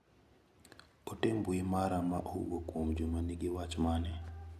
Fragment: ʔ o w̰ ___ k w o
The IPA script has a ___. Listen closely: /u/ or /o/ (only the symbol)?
o